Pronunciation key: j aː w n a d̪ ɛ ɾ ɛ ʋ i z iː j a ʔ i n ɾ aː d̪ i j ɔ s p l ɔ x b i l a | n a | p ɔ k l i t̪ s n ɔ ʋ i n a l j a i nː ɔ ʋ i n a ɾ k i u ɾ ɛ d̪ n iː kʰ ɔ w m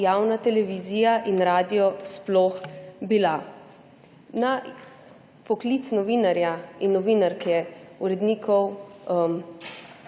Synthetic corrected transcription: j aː w n a t̪ ɛ l ɛ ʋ i z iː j a ʔ i n ɾ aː d̪ i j ɔ s p l ɔ x b i l a | n a | p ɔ k l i t̪ s n ɔ ʋ i n a ɾ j a i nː ɔ ʋ i n a ɾ k ɛ u ɾ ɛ d̪ n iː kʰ ɔ w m

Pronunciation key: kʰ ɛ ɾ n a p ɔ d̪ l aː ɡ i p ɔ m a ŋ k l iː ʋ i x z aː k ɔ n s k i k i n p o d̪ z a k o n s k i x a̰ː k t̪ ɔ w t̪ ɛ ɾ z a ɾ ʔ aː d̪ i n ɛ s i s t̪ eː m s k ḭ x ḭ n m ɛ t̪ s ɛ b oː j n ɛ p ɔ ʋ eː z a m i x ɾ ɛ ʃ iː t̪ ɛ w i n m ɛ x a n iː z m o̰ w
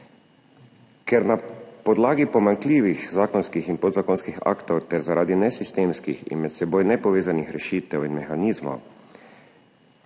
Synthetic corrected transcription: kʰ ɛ ɾ n a p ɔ d̪ l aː ɡ i p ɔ m a ŋ k l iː ʋ i x z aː k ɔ n s k i x i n p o d̪ z a k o n s k i x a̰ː k t̪ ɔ w t̪ ɛ ɾ z a ɾ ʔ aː d̪ i n ɛ s i s t̪ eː m s k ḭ x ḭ n m ɛ t̪ s ɛ b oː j n ɛ p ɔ ʋ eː z a n i x ɾ ɛ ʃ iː t̪ ɛ w i n m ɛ x a n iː z m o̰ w

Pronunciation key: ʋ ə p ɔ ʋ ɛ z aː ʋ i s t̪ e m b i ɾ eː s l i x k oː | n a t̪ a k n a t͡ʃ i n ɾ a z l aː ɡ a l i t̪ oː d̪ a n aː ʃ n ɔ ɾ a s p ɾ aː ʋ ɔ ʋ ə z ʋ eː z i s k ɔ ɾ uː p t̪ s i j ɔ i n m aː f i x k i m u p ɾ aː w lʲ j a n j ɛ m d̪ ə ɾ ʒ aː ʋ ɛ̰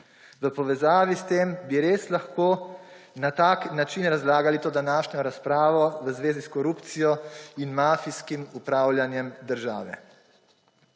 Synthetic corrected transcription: ʋ ə p ɔ ʋ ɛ z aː ʋ i s t̪ e m b i ɾ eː s l a x k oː | n a t̪ a k n a t͡ʃ i n ɾ a z l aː ɡ a l i t̪ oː d̪ a n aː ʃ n ɔ ɾ a s p ɾ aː ʋ ɔ ʋ ə z ʋ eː z i s k ɔ ɾ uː p t̪ s i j ɔ i n m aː f i s k i m u p ɾ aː w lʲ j a n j ɛ m d̪ ə ɾ ʒ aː ʋ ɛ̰

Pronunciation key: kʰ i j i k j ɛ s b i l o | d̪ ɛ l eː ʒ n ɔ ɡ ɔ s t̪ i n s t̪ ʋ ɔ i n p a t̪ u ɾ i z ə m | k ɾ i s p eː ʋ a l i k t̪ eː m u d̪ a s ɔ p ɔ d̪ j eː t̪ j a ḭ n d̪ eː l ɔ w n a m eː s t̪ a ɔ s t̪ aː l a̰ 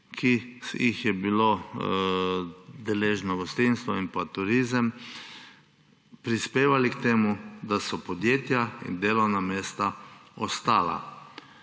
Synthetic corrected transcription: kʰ i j i x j ɛ b i l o | d̪ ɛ l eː ʒ n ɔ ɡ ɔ s t̪ i n s t̪ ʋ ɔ i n p a t̪ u ɾ i z ə m | p ɾ i s p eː ʋ a l i k t̪ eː m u d̪ a s ɔ p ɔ d̪ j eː t̪ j a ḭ n d̪ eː l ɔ w n a m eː s t̪ a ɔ s t̪ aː l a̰

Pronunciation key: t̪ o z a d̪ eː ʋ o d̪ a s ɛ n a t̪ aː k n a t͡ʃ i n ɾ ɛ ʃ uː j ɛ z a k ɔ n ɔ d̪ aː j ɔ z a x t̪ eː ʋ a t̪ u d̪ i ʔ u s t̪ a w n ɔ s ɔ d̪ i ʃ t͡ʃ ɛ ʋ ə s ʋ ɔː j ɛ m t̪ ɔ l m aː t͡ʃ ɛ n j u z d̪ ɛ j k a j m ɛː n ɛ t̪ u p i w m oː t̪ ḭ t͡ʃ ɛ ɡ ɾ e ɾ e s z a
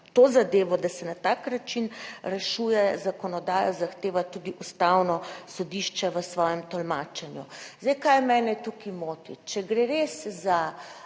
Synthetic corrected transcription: t̪ o z a d̪ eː ʋ ɔ d̪ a s ɛ n a t̪ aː k n a t͡ʃ i n ɾ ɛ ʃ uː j ɛ z a k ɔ n ɔ d̪ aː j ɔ z a x t̪ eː ʋ a t̪ u d̪ i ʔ u s t̪ a w n ɔ s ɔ d̪ i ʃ t͡ʃ ɛ ʋ ə s ʋ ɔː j ɛ m t̪ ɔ l m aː t͡ʃ ɛ n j u z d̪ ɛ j k a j m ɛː n ɛ t̪ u k i m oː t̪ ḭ t͡ʃ ɛ ɡ ɾ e ɾ e s z a

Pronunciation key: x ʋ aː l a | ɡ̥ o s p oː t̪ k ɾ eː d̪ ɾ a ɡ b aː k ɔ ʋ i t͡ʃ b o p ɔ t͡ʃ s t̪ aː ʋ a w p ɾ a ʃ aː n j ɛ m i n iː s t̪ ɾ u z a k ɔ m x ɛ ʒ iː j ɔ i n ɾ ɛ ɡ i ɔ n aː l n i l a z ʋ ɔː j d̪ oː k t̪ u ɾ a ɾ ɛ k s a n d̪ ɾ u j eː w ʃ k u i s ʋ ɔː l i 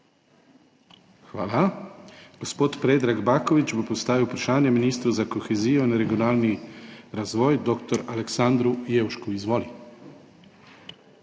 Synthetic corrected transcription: x ʋ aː l a | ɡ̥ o s p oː t̪ p ɾ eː d̪ ɾ a ɡ b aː k ɔ ʋ i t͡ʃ b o p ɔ s t̪ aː ʋ i w p ɾ a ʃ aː n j ɛ m i n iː s t̪ ɾ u z a k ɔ x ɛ z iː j ɔ i n ɾ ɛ ɡ i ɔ n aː l n i ɾ a z ʋ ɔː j d̪ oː k t̪ ɔ ɾ a l ɛ k s a n d̪ ɾ u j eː w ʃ k u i z ʋ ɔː l i

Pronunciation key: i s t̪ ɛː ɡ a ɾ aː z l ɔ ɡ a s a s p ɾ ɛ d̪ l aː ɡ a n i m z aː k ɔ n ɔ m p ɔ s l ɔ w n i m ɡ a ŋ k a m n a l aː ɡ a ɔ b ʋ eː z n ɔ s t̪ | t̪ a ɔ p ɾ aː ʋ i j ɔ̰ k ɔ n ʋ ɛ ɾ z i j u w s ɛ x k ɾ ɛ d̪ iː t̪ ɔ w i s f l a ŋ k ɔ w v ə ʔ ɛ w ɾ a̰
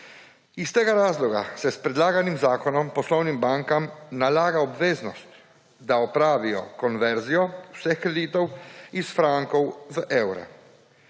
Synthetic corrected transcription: i s t̪ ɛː ɡ a ɾ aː z l ɔ ɡ a s ɛ s p ɾ ɛ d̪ l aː ɡ a n i m z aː k ɔ n ɔ m p ɔ s l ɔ w n i m b a ŋ k a m n a l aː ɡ a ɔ b ʋ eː z n ɔ s t̪ | d̪ a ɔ p ɾ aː ʋ i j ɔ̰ k ɔ n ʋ ɛ ɾ z i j ɔ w s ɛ x k ɾ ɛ d̪ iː t̪ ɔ w i s f ɾ a ŋ k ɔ w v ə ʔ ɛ w ɾ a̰

